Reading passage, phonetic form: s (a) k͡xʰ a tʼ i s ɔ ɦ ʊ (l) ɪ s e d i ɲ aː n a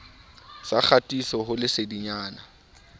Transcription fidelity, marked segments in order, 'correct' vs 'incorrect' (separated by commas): correct, correct